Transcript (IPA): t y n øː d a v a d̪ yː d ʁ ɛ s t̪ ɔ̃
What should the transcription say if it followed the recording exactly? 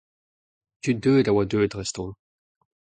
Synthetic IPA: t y d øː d a w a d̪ øː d ʁ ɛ s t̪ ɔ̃